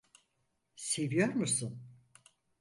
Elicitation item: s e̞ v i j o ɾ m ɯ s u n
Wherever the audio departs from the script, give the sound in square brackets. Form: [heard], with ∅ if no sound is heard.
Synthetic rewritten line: s e̞ v i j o ɾ m [u] s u n